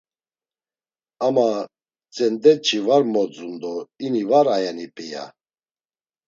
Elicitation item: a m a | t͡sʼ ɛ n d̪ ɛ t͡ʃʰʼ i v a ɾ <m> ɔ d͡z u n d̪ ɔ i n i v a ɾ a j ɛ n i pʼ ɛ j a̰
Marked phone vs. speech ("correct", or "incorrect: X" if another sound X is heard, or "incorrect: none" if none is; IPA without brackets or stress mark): correct